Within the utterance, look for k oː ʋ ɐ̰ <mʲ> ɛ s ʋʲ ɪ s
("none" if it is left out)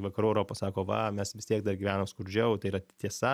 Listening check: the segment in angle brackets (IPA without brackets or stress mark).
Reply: mʲ